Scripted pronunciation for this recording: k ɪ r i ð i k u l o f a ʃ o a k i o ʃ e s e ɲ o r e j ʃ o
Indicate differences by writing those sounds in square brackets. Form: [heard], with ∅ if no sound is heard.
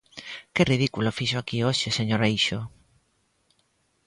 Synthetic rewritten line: k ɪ r i ð i k u l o f [i] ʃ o a k i o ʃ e s e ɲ o [ɾ] e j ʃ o